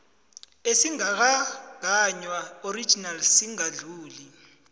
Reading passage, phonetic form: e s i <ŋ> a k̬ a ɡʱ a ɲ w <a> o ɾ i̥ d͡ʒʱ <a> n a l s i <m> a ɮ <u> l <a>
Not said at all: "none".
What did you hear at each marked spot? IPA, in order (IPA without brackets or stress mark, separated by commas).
ŋ, a, i, ŋ, uː, i